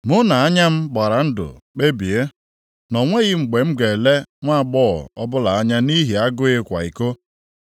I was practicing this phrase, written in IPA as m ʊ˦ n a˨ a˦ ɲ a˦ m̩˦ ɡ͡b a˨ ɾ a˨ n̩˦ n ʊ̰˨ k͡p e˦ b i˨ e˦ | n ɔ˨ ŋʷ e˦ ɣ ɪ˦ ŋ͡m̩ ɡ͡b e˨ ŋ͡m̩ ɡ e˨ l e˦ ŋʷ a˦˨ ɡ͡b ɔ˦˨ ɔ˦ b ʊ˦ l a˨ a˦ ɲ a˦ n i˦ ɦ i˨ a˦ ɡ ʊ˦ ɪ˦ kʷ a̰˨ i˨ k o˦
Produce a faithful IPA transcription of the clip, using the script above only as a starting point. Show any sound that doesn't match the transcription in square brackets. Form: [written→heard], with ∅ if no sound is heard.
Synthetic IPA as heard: m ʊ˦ n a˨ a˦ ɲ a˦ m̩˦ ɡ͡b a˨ ɾ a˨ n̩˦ [n→d] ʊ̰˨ k͡p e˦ b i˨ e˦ | n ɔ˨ ŋʷ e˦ ɣ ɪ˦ ŋ͡m̩ ɡ͡b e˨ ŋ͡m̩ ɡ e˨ l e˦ ŋʷ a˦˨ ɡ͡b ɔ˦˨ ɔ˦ b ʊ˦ l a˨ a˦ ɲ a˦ n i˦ ɦ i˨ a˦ ɡ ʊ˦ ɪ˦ kʷ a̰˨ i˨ k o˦